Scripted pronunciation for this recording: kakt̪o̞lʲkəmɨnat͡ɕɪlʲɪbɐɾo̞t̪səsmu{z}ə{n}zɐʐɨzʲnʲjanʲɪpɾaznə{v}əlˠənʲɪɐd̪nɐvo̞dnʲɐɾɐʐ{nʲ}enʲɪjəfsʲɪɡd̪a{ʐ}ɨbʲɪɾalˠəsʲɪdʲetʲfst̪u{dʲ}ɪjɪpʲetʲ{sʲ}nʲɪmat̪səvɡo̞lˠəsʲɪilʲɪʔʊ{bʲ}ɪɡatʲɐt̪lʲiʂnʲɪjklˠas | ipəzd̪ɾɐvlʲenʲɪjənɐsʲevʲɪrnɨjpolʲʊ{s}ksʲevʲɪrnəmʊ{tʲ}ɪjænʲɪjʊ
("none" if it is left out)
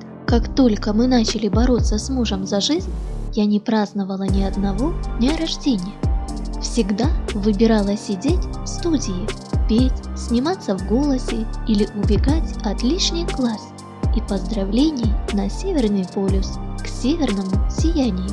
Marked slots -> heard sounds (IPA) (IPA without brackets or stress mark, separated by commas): ʐ, m, v, dʲ, v, dʲ, sʲ, bʲ, s, sʲ